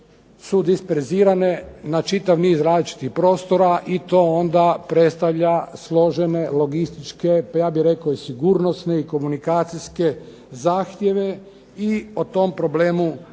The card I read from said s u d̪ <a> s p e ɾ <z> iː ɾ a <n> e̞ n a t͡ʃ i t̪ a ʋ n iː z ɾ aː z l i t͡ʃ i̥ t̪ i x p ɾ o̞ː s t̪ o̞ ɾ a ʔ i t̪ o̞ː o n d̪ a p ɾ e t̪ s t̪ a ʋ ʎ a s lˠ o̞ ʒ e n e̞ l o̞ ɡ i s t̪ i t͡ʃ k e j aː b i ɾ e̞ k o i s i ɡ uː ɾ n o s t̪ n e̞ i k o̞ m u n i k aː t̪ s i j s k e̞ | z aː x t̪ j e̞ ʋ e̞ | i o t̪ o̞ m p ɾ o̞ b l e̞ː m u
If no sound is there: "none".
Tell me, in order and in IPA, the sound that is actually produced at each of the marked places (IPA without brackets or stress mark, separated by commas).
i, z, n